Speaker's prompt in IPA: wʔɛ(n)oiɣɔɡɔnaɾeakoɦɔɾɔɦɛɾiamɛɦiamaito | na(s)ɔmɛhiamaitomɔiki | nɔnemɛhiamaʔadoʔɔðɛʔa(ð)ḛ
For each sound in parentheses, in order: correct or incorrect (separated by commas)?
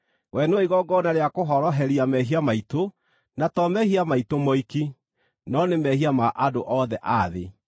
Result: correct, incorrect, correct